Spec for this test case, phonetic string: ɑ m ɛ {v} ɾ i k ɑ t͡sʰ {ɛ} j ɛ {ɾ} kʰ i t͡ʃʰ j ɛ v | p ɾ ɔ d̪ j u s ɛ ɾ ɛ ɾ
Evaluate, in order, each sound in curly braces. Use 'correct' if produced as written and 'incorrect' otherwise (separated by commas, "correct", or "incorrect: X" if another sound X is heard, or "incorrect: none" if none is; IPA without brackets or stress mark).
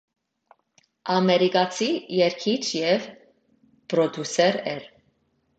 incorrect: none, incorrect: i, correct